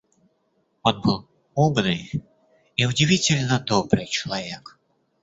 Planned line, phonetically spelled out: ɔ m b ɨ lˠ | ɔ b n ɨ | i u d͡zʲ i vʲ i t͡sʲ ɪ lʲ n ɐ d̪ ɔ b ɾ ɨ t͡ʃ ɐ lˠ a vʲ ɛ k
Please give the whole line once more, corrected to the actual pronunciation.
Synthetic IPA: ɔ n b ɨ lˠ | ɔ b n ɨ | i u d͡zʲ i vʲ i t͡sʲ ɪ lʲ n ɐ d̪ ɔ b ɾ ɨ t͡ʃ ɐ lˠ a vʲ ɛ k